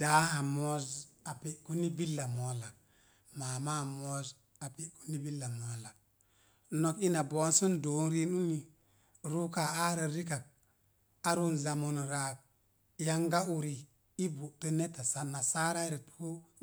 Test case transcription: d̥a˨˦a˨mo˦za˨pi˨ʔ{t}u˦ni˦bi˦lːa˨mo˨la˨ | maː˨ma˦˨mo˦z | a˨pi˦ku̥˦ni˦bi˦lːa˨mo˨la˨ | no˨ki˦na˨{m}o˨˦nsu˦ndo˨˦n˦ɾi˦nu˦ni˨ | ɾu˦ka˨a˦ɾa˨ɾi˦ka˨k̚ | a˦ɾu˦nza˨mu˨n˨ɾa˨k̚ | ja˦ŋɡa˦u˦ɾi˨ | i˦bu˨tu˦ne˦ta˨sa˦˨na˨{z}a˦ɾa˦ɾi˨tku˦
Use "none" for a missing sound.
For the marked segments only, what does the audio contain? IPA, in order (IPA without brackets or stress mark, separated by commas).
k, b, s